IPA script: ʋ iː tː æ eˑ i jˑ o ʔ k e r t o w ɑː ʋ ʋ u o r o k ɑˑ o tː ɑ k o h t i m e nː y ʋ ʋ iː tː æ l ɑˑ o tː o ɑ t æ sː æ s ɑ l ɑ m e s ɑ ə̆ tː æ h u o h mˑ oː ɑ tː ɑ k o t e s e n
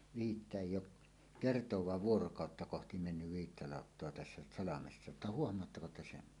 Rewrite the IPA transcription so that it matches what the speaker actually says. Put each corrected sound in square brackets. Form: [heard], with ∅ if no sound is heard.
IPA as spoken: ʋ iː tː æ eˑ i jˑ o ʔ k e r t o w ɑː ʋ ʋ u o r o k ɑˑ o tː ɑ k o h t i m e nː y ʋ ʋ iː tː æ l ɑˑ o tː o ɑ t æ sː æ s ɑ l ɑ m e [sː] ɑ ə̆ tː æ h u o h mˑ [o] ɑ tː ɑ k o t e s e n